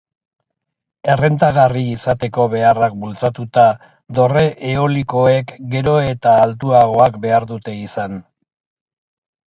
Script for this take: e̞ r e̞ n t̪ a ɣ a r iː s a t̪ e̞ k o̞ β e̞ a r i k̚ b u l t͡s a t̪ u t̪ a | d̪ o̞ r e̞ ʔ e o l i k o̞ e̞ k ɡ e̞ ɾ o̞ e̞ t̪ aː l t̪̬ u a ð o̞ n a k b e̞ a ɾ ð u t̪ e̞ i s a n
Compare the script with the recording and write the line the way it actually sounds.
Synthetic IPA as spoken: e̞ r e̞ n t̪ a ɣ a r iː s a t̪ e̞ k o̞ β e̞ a r a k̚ b u l t͡s a t̪ u t̪ a | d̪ o̞ r e̞ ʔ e o l i k o̞ e̞ k ɡ e̞ ɾ o̞ e̞ t̪ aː l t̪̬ u a ɣ o̞ a k b e̞ a ɾ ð u t̪ e̞ i s a n

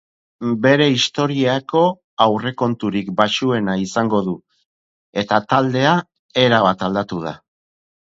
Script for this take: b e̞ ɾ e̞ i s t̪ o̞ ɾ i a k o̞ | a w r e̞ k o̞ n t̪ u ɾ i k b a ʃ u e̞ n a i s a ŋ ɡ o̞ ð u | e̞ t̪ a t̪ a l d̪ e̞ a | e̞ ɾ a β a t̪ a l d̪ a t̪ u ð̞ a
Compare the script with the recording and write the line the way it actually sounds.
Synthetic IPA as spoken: b e̞ ɾ e̞ i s t̪ o̞ ɾ i a k o̞ | a w r e̞ k o̞ n t̪ u ɾ i k b a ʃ u e̞ n a i s a ŋ ɡ o̞ ð u | e̞ t̪ a t̪ a l d̪ e̞ a | e̞ ɾ a β a t̪ a l d̪ a t̪ u ð̞ a

